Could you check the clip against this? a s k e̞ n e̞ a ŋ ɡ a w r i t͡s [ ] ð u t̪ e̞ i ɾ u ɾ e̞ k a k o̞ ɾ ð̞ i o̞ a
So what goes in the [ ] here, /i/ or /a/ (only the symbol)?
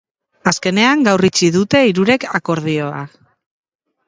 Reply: i